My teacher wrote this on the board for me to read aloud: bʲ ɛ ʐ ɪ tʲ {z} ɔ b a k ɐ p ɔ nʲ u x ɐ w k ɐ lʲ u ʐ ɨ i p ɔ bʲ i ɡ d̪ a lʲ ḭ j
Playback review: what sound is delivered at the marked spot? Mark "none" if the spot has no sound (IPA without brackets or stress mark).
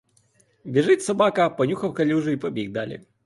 s